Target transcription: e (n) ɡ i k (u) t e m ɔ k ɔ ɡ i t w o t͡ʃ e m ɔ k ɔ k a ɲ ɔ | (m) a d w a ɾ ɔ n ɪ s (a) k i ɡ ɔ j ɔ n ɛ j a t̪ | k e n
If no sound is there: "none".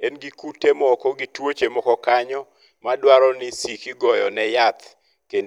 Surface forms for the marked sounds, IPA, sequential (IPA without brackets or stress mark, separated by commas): n, u, m, i